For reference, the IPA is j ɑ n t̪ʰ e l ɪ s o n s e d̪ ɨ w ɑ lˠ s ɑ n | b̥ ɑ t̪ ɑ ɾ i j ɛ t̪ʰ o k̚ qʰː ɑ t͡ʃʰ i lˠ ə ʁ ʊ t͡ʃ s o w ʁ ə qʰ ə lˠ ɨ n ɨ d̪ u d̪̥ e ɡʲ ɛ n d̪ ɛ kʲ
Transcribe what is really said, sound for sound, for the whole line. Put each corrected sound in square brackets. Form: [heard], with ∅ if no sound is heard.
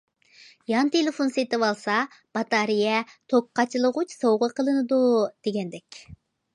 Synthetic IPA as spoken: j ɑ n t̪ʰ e l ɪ [f] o n s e [t̪] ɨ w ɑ lˠ s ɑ [∅] | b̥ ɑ t̪ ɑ ɾ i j ɛ t̪ʰ o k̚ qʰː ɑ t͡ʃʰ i lˠ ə ʁ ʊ t͡ʃ s o w ʁ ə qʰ ə lˠ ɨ n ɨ d̪ u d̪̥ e ɡʲ ɛ n d̪ ɛ kʲ